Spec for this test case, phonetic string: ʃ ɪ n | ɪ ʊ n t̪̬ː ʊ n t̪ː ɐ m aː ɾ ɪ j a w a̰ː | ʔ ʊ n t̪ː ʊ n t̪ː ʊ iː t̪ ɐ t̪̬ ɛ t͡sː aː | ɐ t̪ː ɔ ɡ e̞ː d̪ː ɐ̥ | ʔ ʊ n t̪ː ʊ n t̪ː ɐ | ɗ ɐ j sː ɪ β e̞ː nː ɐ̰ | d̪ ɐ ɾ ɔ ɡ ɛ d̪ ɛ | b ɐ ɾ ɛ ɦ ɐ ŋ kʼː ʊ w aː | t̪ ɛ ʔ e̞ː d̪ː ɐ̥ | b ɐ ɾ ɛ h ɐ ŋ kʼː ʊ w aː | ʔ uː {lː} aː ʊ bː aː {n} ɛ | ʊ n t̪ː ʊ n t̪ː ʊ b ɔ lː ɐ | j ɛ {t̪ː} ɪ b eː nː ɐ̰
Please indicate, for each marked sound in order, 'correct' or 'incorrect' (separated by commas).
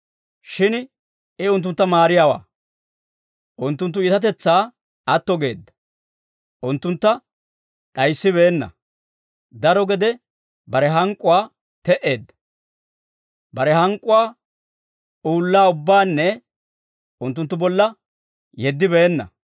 correct, incorrect, incorrect